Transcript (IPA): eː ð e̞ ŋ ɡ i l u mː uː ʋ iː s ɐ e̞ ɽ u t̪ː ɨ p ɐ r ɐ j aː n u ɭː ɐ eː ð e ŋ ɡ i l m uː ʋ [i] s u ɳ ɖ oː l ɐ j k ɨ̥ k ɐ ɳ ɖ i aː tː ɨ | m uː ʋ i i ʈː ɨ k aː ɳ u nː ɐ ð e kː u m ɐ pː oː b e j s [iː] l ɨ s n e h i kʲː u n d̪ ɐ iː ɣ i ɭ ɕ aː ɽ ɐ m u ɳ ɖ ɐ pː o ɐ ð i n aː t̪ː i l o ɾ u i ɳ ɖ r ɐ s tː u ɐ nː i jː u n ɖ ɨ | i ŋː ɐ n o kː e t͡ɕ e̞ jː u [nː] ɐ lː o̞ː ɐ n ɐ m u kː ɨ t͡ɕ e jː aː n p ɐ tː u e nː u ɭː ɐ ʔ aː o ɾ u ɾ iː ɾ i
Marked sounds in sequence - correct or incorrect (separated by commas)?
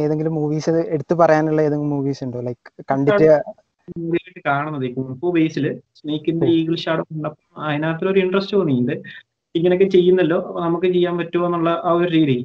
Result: incorrect, incorrect, correct